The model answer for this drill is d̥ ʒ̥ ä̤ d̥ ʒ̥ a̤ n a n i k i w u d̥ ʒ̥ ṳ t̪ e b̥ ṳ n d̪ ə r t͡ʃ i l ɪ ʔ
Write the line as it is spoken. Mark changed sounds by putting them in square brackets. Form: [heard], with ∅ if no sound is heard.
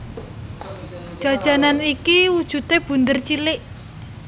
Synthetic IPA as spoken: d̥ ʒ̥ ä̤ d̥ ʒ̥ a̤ n a n i k i w u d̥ ʒ̥ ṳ t̪ e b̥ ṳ n d̪ ə r t͡ʃ i l ɪ ʔ

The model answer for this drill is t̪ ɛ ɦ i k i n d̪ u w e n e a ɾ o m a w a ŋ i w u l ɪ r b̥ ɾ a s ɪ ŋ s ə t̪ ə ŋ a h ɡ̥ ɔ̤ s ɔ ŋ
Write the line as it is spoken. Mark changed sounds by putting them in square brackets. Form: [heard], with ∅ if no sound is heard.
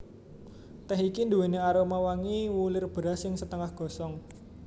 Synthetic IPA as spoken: t̪ ɛ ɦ i k i n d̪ u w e n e a ɾ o m a w a ŋ i w u l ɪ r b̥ ɾ a s ɪ ŋ s ə t̪ ə ŋ a h ɡ̥ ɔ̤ s ɔ ŋ

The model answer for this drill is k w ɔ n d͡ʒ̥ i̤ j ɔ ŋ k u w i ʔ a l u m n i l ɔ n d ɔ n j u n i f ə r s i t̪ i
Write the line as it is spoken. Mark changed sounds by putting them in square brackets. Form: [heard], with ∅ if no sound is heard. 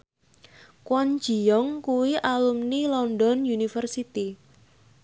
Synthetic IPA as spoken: k w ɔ n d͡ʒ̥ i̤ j ɔ ŋ k u w i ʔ a l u m n i l ɔ n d ɔ n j u n i f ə r s i t̪ i

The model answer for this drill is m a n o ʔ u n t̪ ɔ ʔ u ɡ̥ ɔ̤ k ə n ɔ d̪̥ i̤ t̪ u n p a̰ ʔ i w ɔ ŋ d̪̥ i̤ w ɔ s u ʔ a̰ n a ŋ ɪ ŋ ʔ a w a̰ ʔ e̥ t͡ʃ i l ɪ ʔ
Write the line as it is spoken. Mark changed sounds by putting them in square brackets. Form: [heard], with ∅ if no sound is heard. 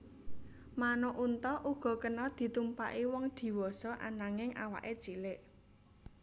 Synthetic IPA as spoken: m a n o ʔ u n t̪ ɔ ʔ u ɡ̥ ɔ̤ k ə n ɔ d̪̥ i̤ t̪ u [m] p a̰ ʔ i w ɔ ŋ d̪̥ i̤ w ɔ s [ɔ] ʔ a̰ n a ŋ ɪ ŋ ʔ a w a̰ ʔ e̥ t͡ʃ i l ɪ ʔ

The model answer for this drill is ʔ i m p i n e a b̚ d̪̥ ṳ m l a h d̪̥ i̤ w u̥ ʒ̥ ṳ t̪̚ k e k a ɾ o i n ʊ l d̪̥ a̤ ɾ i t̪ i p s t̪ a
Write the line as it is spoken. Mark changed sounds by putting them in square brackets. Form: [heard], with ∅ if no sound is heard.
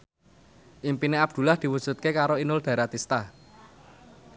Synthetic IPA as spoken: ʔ i m p i n e a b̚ d̪̥ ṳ [∅] l a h d̪̥ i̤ w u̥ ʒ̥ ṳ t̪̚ k e k a ɾ o i n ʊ l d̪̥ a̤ ɾ [a] t̪ i [∅] s t̪ a

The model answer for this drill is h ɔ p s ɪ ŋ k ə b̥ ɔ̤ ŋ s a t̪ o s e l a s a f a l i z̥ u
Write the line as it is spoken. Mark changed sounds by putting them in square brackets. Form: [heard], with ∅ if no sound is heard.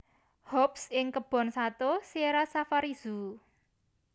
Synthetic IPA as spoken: h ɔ p s ɪ ŋ k ə b̥ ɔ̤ [n] s a t̪ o s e [ɾ] a s a f a [ɾ] i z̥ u

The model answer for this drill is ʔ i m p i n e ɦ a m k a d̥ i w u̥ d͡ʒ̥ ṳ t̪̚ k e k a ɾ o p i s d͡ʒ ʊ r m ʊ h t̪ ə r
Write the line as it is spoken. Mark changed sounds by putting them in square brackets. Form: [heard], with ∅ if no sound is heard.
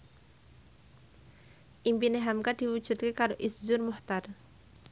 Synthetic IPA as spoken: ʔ i m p i n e ɦ a m k a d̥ i w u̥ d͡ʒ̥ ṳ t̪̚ k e k a ɾ o [ʔ] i s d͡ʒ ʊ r m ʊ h t̪ [a] r

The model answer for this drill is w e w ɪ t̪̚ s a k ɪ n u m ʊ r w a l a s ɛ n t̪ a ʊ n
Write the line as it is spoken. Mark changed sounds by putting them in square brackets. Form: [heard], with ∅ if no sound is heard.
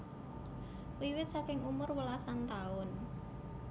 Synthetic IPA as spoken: w [i] w ɪ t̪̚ s a k ɪ [ŋ] u m ʊ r w [ə] l a s [a] n t̪ a ʊ n

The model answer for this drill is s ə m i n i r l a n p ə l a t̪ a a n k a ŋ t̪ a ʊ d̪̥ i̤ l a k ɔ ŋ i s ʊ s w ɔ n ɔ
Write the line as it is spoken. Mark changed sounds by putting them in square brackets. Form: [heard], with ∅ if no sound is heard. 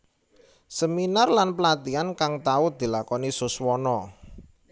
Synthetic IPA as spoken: s ə m i n [a] r l a n p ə l a t̪ [i] a n k a ŋ t̪ a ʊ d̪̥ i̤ l a k ɔ [n] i s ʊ s w ɔ n ɔ

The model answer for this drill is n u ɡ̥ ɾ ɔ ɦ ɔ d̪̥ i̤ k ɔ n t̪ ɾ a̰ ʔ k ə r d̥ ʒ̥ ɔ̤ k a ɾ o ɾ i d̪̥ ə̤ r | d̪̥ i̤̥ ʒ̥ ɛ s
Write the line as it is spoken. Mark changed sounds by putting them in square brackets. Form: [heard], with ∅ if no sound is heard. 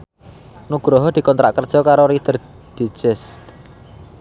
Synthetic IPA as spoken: n u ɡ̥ ɾ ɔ ɦ ɔ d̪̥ i̤ k ɔ n t̪ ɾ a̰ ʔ k ə r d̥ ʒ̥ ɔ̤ k a ɾ o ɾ i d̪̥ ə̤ r | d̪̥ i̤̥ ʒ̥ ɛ s

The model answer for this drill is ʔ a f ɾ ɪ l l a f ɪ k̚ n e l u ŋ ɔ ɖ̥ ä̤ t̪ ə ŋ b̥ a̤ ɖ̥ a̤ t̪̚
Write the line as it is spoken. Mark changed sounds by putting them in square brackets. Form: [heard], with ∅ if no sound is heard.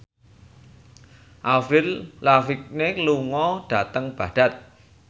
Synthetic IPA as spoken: ʔ a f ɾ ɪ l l a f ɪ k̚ n e l u ŋ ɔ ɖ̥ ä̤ t̪ ə ŋ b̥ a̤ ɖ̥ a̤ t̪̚

